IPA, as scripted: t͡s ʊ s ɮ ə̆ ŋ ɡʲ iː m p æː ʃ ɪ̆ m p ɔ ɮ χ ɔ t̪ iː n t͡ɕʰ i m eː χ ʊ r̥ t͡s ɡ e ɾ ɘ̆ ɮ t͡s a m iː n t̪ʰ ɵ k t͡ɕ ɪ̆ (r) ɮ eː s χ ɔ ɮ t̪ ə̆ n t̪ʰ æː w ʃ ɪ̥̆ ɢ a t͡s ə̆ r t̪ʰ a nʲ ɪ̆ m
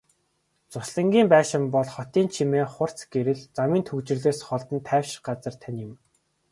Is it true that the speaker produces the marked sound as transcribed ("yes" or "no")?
yes